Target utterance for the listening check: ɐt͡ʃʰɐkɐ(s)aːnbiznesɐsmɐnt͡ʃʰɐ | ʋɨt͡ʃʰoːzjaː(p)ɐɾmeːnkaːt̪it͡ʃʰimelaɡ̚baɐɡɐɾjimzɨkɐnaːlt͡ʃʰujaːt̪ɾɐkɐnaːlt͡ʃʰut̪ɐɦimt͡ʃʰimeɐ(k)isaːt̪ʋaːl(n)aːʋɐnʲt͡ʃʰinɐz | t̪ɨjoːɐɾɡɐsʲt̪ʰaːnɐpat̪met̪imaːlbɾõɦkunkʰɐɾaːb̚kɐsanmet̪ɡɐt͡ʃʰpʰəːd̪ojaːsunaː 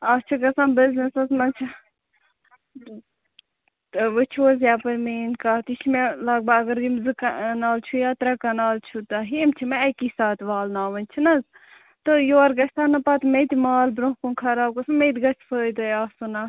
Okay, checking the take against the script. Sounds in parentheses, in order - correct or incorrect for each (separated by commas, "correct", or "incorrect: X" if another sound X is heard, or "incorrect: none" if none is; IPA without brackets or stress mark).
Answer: correct, correct, correct, correct